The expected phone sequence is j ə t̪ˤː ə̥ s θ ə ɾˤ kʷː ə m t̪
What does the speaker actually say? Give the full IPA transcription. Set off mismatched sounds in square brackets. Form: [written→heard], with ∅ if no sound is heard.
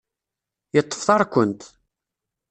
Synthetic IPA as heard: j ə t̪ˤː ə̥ [s→f] θ [ə→ɑ] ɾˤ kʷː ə [m→n] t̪

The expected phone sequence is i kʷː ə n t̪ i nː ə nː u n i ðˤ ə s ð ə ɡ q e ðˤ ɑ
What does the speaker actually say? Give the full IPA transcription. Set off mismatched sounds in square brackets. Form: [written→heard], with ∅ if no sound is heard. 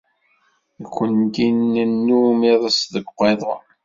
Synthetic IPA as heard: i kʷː ə n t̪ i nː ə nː u [n→m] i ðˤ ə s ð ə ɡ q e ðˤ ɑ

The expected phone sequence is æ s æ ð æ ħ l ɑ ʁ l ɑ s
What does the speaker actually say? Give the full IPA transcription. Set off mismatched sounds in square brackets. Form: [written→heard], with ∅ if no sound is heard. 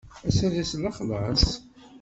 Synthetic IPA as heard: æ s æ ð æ [ħ→s] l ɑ [ʁ→χ] l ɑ s

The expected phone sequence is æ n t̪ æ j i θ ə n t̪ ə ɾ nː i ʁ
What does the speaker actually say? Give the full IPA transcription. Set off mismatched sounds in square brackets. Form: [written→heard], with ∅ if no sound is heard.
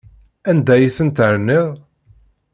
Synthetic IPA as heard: æ n [t̪→d̪] æ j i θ ə n t̪ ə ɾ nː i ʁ

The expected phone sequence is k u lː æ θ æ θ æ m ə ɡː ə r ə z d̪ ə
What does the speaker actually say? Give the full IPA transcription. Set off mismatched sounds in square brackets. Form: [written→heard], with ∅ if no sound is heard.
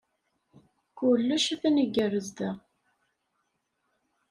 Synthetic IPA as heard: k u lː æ [θ→ʃ] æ θ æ [m→n] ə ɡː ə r ə z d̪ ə

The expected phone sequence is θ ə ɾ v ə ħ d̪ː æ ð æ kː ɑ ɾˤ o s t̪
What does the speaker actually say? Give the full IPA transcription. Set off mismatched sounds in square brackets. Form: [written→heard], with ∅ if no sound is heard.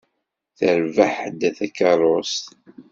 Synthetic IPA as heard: θ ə ɾ v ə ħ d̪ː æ [ð→θ] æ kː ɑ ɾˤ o s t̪

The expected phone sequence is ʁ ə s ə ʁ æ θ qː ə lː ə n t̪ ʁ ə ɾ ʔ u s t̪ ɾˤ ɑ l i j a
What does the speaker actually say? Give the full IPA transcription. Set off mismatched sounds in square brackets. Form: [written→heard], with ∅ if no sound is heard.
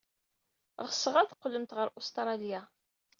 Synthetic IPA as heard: ʁ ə s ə ʁ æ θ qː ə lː ə [n→m] t̪ ʁ ə ɾ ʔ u s t̪ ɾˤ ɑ l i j a

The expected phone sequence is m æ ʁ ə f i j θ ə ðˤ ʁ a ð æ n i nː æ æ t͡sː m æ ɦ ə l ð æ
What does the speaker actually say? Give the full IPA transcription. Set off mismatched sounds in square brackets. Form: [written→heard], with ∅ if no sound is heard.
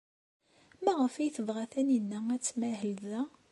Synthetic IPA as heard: m æ ʁ ə f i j θ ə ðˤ ʁ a [ð→θ] æ n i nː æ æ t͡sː m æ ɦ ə l ð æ

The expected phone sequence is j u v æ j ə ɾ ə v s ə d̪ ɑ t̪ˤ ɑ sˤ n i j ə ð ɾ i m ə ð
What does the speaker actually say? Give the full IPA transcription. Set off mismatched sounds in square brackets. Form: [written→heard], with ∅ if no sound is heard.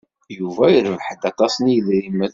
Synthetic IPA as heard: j u v æ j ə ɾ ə v [s→ħ] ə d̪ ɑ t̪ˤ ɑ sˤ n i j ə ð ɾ i m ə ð

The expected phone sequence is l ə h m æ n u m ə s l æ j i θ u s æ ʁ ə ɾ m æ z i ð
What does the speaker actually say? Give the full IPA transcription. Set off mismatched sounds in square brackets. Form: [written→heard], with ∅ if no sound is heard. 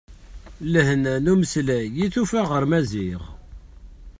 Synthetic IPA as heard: l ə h [m→n] æ n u m ə s l æ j i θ u [s→f] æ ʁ ə ɾ m æ z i [ð→ʁ]

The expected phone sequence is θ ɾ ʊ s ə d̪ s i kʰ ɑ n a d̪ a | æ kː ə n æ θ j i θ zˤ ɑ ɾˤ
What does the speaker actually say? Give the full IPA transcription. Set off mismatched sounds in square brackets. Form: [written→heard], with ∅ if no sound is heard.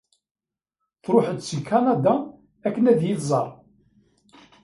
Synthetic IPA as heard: θ ɾ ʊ [s→ħ] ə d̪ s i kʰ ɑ n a d̪ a | æ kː ə n æ [θ→ð] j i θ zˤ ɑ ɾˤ

